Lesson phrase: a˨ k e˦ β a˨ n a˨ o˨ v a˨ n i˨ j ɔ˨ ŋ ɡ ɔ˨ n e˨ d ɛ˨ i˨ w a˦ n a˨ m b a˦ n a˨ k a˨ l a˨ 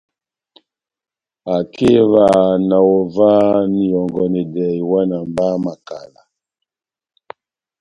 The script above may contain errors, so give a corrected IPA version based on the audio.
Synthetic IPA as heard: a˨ k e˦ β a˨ n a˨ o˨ v a˦ n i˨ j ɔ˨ ŋ ɡ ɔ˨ n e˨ d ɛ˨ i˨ w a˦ n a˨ m b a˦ m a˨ k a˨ l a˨